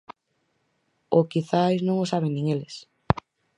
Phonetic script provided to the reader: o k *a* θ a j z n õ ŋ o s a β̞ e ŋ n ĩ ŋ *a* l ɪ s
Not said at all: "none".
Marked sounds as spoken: i, e

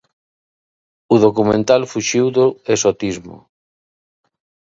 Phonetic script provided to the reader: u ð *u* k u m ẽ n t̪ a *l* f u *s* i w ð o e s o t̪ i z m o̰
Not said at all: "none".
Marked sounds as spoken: o, l, ʃ

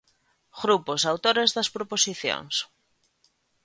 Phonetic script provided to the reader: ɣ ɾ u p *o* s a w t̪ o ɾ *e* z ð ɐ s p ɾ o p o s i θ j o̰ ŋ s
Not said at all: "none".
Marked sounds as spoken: o, e

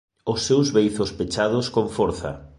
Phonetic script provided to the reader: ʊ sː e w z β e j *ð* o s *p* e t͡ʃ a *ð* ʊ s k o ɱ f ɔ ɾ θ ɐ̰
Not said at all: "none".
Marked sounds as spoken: θ, p, ð

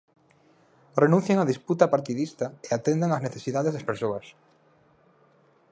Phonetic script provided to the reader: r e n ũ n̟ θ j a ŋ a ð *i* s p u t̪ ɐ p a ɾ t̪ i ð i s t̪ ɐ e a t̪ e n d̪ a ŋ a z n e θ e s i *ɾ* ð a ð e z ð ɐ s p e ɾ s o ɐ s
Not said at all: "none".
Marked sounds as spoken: i, none

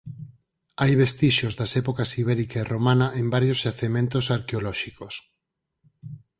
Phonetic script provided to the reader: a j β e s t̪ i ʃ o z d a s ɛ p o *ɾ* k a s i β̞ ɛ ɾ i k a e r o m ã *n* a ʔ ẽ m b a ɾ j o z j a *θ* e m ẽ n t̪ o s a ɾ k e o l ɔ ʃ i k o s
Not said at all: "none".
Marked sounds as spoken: none, n, θ

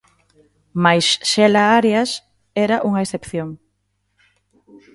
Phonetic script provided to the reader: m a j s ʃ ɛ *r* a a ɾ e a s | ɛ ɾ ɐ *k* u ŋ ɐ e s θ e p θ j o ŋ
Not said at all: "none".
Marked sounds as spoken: l, ʔ

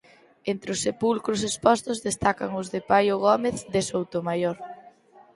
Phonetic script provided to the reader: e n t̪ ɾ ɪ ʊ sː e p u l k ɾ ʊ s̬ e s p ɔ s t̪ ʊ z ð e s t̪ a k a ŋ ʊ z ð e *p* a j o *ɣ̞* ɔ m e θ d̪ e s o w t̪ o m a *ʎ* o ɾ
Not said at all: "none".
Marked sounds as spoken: p, ɣ̞, j

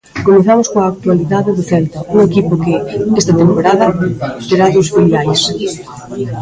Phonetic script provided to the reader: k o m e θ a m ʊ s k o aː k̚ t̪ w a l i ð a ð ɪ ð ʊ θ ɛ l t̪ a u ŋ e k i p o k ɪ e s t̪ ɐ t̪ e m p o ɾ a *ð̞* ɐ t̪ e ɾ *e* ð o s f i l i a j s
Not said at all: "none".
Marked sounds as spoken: ð̞, a

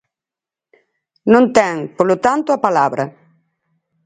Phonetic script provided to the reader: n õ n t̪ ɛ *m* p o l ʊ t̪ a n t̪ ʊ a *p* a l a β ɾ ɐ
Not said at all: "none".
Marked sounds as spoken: ŋ, p

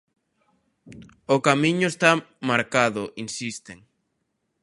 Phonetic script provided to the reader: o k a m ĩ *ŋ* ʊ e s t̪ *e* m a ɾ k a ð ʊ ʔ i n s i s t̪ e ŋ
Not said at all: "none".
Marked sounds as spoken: ɲ, a

